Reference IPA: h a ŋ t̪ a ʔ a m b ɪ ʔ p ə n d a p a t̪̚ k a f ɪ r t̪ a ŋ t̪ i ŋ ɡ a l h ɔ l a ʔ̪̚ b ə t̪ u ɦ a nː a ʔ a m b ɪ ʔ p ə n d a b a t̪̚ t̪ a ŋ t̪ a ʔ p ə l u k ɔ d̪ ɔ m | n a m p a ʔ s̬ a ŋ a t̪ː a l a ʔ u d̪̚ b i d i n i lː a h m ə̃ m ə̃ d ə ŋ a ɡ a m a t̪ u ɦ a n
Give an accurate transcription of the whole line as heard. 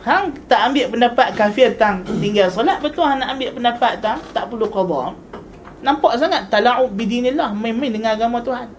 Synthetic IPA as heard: h a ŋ t̪ a ʔ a m b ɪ ʔ p ə n d a p a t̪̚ k a f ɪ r t̪ a ŋ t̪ i ŋ ɡ a l s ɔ l a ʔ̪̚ b ə t̪ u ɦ a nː a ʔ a m b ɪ ʔ p ə n d a p a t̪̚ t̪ a ŋ t̪ a ʔ p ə l u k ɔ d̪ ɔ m | n a m p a ʔ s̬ a ŋ a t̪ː a l a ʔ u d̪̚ b i d i n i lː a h m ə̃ m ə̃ d ə ŋ a ɡ a m a t̪ u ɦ a n